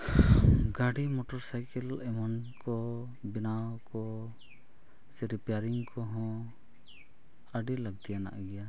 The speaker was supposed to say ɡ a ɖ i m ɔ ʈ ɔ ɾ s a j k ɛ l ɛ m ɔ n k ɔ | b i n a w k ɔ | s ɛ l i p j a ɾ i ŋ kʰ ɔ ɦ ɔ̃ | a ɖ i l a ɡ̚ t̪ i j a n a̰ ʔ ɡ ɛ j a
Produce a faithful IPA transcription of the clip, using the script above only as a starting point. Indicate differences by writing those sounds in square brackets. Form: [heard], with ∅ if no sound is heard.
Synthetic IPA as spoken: ɡ a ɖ i m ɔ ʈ ɔ ɾ s a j k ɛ l ɛ m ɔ n k ɔ | b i n a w k ɔ | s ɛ [ɾ] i p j a ɾ i ŋ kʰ ɔ ɦ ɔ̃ | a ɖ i l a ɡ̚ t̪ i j a n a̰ ʔ ɡ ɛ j a

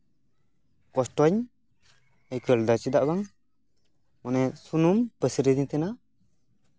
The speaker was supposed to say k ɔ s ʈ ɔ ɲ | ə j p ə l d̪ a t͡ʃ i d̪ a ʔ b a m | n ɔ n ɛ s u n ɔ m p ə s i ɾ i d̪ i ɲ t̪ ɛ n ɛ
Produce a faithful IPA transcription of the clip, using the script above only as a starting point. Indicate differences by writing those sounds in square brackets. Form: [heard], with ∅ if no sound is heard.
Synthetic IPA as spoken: k ɔ s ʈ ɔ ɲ | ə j [k] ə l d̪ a t͡ʃ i d̪ a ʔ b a [ŋ] | [m] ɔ n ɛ s u n [u] m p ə s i ɾ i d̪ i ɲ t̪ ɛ n [a]

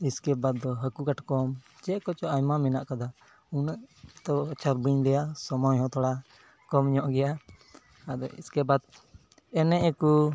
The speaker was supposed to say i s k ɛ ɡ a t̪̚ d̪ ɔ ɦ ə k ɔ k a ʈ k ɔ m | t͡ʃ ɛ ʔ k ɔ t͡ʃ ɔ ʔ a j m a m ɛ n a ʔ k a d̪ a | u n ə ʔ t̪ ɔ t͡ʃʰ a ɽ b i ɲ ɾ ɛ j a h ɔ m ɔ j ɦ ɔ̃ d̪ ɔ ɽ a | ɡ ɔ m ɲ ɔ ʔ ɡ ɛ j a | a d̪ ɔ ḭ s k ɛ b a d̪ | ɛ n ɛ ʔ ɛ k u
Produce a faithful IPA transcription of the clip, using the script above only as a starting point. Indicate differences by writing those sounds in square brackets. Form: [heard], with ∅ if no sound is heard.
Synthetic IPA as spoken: i s k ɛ [b] a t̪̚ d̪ ɔ ɦ ə k [u] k a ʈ k ɔ m | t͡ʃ ɛ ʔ k ɔ t͡ʃ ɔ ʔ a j m a m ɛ n a ʔ k a d̪ a | u n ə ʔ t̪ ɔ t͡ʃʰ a [ɾ] b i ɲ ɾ ɛ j a [s] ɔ m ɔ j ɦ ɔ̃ [t̪] ɔ ɽ a | [k] ɔ m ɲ ɔ ʔ ɡ ɛ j a | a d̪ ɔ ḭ s k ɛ b a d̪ | ɛ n ɛ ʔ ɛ k u

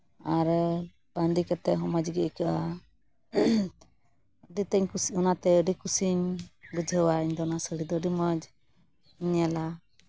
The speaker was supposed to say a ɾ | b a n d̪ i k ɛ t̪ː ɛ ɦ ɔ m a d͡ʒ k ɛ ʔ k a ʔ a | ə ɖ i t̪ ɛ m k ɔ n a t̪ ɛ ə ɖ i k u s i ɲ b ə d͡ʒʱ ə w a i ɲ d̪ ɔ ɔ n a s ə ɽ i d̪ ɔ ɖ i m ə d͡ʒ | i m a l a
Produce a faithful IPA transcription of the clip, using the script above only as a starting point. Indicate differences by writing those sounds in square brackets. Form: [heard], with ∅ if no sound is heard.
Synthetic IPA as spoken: a ɾ | b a n d̪ i k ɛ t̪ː ɛ ɦ ɔ m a d͡ʒ [ɡ] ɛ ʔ k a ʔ a | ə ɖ i t̪ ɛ [ɲ] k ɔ n a t̪ ɛ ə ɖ i k u s i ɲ b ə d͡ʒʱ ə w a i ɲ d̪ ɔ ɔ n a s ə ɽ i d̪ ɔ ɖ i m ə d͡ʒ | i [ɲ] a l a

